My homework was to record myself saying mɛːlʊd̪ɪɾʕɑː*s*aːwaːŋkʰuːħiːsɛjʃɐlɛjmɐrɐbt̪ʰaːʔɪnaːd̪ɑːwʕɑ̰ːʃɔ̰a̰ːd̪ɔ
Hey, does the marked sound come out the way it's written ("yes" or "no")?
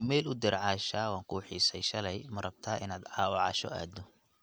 no